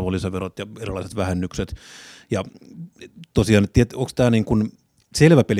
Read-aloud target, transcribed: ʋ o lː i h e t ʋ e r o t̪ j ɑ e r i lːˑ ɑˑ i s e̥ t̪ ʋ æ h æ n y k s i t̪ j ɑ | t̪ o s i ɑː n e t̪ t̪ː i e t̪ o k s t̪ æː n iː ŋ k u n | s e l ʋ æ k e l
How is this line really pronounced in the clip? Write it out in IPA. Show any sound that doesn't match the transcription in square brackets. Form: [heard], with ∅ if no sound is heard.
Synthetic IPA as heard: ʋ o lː i [s] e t ʋ e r o t̪ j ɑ e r i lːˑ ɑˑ i s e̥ t̪ ʋ æ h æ [nː] y k s [e] t̪ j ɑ | t̪ o s i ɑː n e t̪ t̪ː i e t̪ o k s t̪ æː n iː ŋ k u n | s e l ʋ æ [p] e l